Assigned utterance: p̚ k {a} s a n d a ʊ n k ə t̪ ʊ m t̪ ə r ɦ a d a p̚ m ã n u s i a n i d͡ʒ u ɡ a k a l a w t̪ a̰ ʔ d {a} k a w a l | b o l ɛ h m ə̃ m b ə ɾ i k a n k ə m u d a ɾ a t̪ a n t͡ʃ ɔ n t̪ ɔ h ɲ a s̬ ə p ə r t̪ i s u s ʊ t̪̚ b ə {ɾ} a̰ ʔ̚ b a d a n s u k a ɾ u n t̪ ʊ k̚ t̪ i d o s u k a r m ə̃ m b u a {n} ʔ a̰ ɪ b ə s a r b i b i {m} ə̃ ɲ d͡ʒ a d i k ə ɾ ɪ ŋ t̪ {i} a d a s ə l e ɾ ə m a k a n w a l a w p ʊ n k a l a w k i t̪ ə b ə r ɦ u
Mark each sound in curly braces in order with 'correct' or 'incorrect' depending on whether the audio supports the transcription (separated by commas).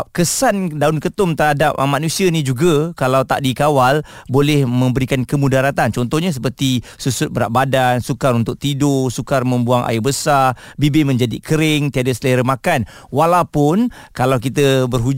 incorrect, incorrect, correct, incorrect, correct, correct